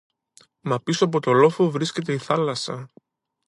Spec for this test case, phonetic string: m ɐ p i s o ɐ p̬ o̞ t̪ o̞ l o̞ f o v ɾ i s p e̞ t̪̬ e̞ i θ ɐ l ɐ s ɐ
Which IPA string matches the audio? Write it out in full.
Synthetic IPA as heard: m ɐ p i s o ɐ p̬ o̞ t̪ o̞ l o̞ f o v ɾ i s c e̞ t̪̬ e̞ i θ ɐ l ɐ s ɐ